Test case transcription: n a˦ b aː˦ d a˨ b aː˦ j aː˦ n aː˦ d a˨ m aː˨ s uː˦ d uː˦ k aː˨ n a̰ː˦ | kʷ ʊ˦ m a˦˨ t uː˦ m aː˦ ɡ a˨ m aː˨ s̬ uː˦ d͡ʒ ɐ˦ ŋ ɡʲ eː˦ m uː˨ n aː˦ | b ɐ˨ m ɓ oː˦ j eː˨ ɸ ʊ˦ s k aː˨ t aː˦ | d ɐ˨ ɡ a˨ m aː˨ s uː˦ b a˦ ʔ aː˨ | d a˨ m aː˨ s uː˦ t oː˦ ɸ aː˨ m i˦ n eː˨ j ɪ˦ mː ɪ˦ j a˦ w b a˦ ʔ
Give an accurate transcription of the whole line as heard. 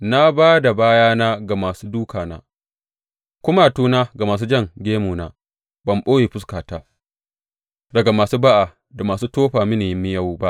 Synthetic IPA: n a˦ b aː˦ d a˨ b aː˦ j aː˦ n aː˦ ɡ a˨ m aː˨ s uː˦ d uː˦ k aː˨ n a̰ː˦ | kʷ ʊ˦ m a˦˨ t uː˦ n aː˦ ɡ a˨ m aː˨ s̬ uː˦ d͡ʒ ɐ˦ ŋ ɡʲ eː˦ m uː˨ n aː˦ | b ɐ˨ m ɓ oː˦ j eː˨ ɸ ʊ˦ s k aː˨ t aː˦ | d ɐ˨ ɡ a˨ m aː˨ s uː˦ b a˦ ʔ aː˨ | d a˨ m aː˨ s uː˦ t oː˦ ɸ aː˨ m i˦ n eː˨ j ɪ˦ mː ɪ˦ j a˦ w b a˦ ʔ